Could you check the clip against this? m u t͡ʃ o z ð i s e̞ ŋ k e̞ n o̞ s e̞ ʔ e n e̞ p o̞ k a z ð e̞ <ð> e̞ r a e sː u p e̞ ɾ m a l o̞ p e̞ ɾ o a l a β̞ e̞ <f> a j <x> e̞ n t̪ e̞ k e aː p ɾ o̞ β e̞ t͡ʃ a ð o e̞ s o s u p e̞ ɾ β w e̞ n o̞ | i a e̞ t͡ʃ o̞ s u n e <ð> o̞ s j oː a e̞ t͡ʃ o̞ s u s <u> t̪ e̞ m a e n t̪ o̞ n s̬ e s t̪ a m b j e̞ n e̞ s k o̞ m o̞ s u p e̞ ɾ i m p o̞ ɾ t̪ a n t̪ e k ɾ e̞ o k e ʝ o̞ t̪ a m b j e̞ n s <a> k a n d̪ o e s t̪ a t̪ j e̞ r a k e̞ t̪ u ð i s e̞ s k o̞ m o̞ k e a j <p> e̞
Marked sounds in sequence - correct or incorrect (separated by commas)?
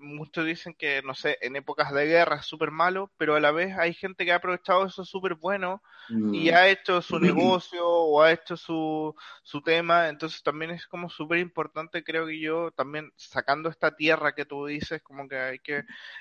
incorrect, incorrect, correct, incorrect, correct, correct, incorrect